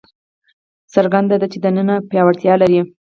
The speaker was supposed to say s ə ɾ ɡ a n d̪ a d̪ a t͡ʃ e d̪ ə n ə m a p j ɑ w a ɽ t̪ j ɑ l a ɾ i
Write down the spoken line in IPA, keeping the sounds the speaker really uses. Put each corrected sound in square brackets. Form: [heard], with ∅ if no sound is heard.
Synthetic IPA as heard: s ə ɾ ɡ a n d̪ a d̪ a t͡ʃ e d̪ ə n ə [n] a p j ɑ w a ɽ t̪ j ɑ l a ɾ i